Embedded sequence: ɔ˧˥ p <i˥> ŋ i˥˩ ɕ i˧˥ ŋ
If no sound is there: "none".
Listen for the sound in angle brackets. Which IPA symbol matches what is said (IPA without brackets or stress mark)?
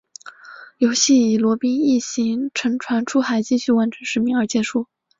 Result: i˥